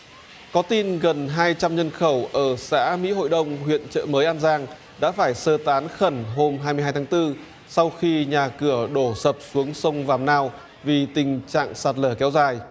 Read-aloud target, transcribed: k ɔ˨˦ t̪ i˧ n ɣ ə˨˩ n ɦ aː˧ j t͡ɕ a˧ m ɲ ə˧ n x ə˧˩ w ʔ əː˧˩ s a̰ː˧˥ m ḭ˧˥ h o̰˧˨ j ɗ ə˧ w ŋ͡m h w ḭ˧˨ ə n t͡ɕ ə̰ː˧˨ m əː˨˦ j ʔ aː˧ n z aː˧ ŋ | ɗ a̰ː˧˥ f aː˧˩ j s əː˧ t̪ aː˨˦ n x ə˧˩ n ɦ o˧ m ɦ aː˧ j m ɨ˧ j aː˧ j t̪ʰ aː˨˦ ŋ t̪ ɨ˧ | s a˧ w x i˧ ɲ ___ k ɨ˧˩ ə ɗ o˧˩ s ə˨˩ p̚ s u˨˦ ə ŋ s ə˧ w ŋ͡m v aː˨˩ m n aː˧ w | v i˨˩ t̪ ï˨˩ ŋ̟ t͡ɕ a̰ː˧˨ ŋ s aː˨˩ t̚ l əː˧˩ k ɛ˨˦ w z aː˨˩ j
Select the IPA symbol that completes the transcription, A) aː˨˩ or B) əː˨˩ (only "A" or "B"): A